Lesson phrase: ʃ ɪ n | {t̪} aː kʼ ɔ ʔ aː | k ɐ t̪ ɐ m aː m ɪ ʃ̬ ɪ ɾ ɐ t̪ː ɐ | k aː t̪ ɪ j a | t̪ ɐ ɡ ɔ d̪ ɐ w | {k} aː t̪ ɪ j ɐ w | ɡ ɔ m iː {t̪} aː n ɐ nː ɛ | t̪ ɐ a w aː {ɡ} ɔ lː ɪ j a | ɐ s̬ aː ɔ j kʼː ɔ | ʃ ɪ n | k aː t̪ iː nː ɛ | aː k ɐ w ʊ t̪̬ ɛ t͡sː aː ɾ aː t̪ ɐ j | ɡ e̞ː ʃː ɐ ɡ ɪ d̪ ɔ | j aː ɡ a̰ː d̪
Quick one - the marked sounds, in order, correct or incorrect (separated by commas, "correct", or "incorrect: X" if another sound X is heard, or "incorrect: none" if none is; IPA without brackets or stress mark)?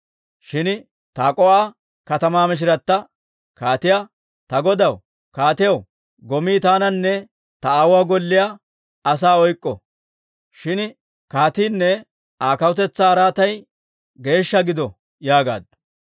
correct, correct, correct, correct